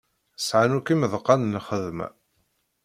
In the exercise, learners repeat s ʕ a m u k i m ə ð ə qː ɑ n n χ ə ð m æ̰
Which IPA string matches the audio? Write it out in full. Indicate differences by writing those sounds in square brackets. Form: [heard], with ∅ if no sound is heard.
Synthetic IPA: s ʕ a [n] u k i m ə ð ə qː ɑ n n χ ə ð m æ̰